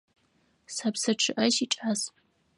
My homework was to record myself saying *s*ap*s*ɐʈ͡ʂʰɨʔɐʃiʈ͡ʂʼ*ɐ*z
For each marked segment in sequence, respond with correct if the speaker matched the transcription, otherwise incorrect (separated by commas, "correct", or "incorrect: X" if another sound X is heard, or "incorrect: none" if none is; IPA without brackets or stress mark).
correct, correct, incorrect: a